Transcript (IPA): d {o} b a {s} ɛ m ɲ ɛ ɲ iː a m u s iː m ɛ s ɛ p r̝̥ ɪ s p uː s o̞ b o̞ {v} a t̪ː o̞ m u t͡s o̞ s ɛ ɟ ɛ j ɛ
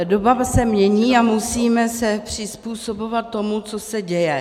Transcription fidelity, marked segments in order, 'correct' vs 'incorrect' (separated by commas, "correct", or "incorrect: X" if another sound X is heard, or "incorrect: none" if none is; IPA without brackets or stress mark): correct, correct, correct